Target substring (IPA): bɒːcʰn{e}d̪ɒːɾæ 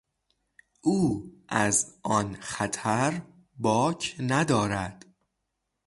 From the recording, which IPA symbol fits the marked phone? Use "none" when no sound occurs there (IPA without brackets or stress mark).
æ